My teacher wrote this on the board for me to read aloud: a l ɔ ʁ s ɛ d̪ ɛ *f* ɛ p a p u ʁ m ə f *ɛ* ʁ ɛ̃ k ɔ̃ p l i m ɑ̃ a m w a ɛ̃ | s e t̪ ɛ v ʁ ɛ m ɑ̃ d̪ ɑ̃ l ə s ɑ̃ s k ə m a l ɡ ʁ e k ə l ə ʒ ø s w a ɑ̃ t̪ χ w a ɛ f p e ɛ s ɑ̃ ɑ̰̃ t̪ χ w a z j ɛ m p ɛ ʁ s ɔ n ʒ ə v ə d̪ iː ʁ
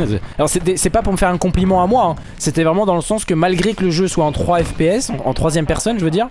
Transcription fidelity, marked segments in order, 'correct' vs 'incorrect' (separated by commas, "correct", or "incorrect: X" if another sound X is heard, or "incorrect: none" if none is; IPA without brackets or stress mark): incorrect: s, correct